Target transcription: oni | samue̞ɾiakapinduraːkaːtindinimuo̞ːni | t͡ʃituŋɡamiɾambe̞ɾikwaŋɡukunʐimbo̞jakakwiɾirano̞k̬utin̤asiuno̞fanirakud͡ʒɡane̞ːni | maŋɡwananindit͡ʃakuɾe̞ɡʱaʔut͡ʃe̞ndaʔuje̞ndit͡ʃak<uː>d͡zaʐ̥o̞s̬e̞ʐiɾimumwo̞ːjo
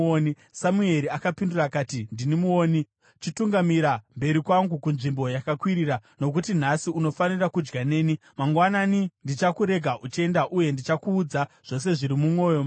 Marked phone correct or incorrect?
correct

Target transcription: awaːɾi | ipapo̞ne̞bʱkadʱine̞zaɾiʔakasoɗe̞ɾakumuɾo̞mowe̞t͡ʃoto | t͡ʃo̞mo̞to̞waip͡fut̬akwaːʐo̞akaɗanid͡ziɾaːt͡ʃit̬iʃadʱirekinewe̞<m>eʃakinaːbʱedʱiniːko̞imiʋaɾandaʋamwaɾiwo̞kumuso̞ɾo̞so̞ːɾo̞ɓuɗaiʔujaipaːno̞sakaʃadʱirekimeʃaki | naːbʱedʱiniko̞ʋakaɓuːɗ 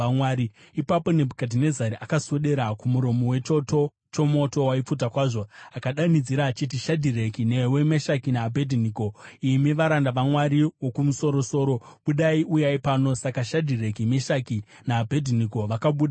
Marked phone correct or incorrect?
correct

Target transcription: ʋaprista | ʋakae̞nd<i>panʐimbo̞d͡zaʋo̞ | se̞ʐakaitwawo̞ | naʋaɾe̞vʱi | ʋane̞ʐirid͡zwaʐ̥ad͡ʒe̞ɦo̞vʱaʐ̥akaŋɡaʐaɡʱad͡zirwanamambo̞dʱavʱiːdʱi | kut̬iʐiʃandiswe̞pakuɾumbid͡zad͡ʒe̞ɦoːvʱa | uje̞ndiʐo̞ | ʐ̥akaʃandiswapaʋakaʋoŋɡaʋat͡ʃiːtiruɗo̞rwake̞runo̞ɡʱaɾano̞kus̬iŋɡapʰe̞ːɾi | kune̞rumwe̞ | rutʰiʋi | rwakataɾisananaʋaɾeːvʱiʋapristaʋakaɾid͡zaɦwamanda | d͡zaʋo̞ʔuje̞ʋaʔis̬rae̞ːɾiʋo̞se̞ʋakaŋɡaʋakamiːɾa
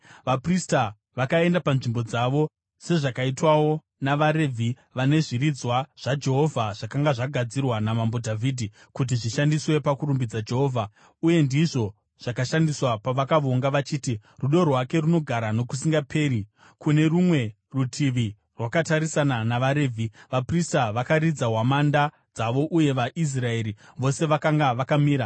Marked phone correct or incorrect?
incorrect: a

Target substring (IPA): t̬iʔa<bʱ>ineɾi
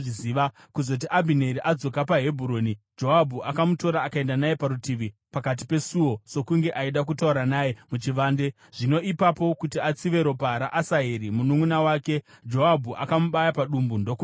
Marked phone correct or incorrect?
correct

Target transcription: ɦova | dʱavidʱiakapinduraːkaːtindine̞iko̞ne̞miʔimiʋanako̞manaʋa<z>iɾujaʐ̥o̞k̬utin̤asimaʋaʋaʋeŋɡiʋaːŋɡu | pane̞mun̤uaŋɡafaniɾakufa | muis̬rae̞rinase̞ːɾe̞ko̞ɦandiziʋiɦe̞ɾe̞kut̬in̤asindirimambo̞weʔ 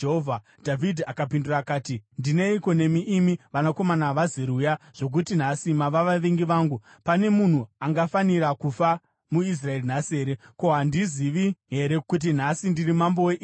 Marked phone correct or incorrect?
correct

